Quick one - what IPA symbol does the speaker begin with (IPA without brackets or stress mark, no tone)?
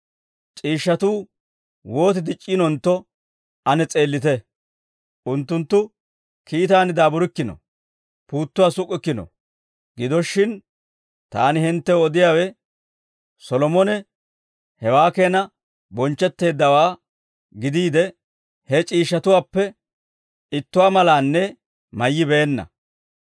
t͡ʃʼ